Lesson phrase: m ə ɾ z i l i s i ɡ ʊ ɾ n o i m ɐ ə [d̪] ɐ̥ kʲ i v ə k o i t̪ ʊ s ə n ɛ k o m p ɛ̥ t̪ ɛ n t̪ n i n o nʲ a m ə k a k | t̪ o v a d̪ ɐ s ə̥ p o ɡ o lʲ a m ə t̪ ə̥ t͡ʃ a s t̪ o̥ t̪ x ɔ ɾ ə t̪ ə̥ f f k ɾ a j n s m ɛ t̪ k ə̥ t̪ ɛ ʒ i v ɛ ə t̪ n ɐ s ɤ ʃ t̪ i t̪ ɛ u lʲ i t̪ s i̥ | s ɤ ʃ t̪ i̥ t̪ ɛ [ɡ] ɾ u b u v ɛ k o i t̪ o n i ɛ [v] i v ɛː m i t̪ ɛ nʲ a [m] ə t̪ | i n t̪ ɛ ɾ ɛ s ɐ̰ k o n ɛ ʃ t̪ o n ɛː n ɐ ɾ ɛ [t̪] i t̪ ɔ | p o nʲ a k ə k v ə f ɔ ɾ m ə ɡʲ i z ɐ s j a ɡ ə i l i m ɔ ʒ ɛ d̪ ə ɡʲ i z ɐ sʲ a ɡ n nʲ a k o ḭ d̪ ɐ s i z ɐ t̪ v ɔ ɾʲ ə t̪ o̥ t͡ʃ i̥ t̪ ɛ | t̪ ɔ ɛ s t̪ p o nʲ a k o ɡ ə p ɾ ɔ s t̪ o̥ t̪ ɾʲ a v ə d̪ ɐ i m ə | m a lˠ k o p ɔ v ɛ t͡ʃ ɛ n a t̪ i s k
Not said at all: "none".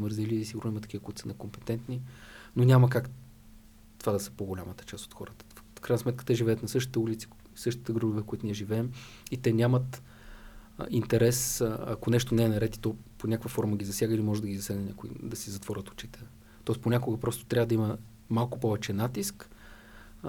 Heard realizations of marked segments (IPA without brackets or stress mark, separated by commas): t̪, ɡ, ʒ, m, t̪